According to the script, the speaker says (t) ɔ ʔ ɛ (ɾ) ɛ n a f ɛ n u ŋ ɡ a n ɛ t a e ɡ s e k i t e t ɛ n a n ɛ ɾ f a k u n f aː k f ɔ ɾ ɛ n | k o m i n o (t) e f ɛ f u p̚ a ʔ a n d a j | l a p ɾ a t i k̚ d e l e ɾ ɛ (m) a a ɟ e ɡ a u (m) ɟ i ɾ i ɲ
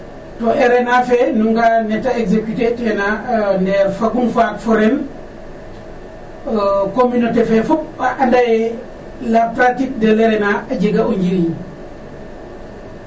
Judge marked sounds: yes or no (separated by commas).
yes, yes, yes, no, no